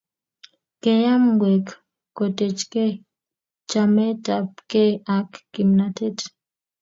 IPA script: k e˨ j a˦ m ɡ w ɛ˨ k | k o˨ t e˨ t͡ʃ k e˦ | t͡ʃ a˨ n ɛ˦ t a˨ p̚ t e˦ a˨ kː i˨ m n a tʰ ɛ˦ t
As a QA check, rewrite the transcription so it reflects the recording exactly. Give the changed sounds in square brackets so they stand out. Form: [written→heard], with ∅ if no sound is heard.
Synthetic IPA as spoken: k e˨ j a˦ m ɡ w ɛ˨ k | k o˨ t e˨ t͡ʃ k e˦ | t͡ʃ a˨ [n→m] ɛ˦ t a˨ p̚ [t→k] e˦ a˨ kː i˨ m n a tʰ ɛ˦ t